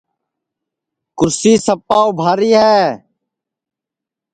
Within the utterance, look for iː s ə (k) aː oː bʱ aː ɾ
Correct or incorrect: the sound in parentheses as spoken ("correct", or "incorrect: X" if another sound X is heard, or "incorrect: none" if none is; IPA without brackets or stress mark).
incorrect: p